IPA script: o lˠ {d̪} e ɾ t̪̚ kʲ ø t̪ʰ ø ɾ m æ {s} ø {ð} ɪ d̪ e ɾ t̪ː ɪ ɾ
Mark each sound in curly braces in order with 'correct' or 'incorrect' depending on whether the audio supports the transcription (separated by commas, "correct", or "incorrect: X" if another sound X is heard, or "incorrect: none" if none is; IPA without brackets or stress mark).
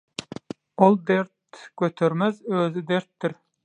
correct, incorrect: z, incorrect: z